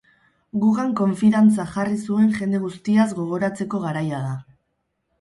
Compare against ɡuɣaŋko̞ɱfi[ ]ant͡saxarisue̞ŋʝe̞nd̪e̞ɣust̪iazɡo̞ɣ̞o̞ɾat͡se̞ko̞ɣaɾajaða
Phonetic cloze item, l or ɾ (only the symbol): ɾ